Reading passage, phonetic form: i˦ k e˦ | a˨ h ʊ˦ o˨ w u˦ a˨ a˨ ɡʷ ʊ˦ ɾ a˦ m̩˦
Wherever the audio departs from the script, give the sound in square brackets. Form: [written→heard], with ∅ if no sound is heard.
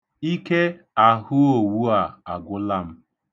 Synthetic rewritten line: i˦ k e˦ | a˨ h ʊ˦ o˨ w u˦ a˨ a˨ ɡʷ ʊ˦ [ɾ→l] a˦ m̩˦